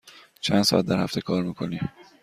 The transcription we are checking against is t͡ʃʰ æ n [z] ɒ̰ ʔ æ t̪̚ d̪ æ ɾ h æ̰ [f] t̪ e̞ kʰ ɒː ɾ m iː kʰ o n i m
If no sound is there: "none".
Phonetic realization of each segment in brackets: s, f

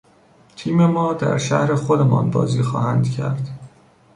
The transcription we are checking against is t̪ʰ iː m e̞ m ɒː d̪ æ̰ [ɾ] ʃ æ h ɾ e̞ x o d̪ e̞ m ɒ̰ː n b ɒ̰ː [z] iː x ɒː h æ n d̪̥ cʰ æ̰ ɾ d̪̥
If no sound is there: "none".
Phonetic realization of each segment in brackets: ɾ, z

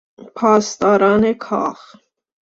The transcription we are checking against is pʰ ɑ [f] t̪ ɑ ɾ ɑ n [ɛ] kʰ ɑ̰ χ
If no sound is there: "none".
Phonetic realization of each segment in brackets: s, ɛ

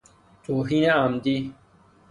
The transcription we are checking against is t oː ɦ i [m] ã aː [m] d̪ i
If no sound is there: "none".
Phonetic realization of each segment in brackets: n, m

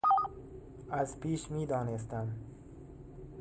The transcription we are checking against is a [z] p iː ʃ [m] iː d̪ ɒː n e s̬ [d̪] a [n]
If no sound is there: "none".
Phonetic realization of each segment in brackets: z, m, t̪, m

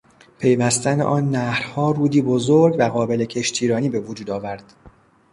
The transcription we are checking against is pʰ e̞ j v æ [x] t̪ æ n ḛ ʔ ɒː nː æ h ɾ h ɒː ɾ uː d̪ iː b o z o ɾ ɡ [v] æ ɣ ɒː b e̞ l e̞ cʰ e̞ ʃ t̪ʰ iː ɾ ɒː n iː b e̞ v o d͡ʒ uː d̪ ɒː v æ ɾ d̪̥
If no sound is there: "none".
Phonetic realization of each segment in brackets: s, v

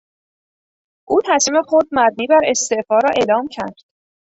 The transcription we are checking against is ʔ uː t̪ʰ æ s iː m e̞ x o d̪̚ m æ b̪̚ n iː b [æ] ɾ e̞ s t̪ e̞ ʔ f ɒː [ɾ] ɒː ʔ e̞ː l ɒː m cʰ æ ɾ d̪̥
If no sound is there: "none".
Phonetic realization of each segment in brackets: æ, ɾ

